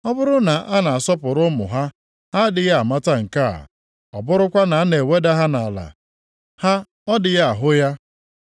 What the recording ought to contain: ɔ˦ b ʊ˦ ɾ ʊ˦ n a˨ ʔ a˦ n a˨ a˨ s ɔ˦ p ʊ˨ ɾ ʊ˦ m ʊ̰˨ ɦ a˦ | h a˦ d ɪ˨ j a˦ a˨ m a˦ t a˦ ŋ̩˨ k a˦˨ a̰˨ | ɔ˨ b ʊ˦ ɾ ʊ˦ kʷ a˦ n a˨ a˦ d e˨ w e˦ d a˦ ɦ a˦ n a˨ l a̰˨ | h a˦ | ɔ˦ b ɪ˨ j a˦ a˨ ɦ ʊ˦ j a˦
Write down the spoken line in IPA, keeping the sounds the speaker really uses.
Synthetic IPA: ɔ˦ b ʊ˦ ɾ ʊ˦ n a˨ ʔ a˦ n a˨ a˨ s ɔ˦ p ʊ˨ ɾ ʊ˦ m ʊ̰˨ ɦ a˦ | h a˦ d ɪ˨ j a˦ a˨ m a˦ t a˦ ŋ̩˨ k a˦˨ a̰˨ | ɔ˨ b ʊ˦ ɾ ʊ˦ kʷ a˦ n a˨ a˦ n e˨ w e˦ d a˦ ɦ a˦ n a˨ l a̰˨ | h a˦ | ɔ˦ d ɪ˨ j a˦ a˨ ɦ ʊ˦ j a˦